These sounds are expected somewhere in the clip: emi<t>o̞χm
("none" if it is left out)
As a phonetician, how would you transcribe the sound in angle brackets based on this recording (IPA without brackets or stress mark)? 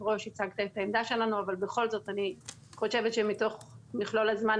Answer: t